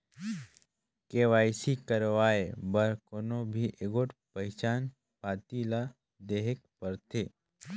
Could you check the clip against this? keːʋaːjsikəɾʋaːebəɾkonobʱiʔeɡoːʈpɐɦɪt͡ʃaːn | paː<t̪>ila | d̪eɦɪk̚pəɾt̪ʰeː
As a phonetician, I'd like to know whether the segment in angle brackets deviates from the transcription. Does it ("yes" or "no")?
no